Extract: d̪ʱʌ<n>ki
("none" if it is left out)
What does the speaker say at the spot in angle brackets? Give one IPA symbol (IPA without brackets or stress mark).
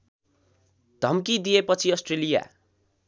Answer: m